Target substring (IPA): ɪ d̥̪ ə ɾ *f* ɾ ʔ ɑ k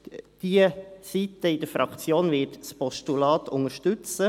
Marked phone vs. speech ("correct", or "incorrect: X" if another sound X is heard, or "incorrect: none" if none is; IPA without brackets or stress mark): correct